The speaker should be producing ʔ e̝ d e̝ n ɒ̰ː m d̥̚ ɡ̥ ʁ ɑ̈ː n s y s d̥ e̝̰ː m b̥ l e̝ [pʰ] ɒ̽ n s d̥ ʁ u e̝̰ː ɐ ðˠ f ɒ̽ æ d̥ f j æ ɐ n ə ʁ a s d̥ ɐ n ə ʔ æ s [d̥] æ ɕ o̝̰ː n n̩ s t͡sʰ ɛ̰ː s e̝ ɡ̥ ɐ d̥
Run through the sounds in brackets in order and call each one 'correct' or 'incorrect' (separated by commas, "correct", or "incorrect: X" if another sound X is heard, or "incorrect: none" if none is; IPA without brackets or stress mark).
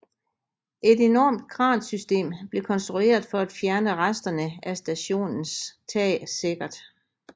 incorrect: kʰ, correct